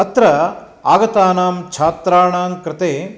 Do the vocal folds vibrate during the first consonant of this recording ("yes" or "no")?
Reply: no